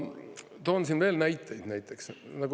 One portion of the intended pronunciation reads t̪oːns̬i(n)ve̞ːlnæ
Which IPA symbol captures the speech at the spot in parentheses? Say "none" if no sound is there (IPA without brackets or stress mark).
n